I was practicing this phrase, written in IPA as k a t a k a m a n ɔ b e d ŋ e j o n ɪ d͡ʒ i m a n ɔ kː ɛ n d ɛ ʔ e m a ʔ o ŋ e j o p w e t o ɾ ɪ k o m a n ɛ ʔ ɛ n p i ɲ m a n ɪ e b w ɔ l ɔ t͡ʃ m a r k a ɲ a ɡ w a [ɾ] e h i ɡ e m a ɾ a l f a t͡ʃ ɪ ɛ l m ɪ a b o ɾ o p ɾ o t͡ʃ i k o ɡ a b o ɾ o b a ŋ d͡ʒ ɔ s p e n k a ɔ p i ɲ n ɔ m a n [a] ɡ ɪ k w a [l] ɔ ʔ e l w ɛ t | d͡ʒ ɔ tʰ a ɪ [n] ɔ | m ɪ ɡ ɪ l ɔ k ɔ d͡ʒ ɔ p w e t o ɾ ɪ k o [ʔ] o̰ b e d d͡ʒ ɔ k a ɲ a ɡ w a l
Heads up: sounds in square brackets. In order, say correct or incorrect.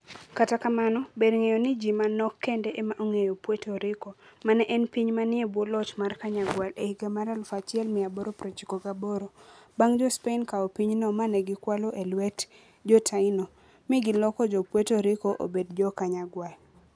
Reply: incorrect, incorrect, correct, correct, correct

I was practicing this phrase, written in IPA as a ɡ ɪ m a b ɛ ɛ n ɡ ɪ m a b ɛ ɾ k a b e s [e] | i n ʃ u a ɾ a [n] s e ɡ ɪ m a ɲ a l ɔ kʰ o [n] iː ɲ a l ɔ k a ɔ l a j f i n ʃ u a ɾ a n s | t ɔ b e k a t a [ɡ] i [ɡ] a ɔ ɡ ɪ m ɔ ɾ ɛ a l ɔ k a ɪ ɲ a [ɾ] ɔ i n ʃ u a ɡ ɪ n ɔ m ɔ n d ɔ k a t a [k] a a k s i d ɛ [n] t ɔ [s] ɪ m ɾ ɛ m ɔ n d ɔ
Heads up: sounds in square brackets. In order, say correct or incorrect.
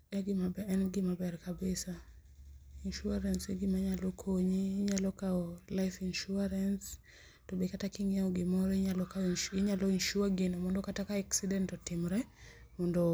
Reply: incorrect, correct, incorrect, incorrect, incorrect, incorrect, correct, correct, incorrect

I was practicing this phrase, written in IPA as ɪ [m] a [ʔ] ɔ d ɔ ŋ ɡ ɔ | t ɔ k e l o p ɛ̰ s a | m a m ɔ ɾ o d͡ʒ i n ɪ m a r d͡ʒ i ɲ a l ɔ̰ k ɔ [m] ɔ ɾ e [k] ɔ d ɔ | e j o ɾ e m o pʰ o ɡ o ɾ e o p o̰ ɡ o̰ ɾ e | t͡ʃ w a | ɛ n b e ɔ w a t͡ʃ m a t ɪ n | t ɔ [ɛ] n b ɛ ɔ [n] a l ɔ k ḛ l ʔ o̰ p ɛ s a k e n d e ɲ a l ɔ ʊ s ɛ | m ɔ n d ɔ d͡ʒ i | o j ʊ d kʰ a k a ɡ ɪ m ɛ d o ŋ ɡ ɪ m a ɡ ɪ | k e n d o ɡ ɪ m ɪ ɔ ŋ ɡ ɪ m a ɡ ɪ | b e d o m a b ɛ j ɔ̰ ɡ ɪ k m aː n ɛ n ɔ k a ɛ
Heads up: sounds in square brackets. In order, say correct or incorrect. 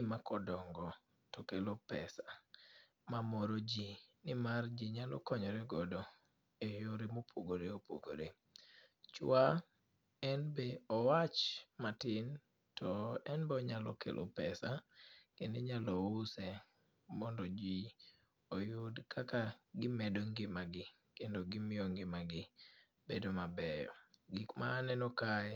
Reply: correct, incorrect, incorrect, incorrect, correct, incorrect

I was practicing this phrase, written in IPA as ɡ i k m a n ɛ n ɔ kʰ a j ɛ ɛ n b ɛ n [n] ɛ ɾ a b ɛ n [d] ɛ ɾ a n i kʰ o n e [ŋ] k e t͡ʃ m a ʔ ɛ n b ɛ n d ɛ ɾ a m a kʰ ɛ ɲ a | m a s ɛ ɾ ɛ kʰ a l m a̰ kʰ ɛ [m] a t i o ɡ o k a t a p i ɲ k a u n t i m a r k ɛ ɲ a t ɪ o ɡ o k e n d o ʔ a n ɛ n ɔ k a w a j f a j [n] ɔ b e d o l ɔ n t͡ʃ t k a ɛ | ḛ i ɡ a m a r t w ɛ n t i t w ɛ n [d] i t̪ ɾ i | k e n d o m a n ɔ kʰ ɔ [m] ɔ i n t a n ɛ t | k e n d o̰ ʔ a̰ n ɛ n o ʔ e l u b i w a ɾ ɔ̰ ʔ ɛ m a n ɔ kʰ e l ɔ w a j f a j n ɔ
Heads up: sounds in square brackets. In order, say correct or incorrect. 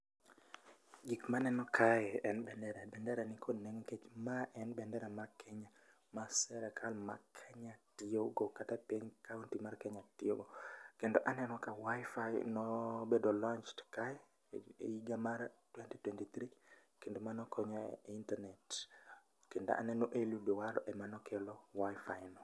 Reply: incorrect, correct, correct, incorrect, correct, incorrect, incorrect

